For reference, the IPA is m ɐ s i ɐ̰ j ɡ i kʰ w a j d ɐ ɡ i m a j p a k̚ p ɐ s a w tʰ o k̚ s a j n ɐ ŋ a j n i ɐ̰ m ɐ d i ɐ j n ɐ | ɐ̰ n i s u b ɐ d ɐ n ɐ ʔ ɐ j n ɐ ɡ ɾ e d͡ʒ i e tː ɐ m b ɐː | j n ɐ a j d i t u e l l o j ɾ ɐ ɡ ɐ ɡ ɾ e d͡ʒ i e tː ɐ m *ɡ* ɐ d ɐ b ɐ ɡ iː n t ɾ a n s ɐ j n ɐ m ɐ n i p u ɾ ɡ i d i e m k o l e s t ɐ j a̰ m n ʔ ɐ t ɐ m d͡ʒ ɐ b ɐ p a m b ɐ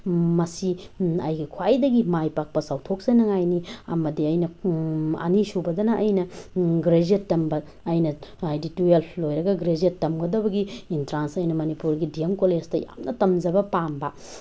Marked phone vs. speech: correct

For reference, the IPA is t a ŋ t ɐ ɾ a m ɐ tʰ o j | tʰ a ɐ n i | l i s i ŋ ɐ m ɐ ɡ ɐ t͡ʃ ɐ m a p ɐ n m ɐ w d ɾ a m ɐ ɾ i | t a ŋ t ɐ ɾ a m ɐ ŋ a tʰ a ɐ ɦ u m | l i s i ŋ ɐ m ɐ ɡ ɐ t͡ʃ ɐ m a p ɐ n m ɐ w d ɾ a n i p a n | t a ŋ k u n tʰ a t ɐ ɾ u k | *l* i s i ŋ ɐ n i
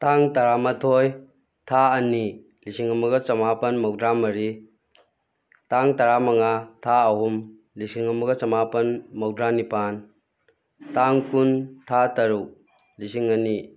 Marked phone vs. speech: correct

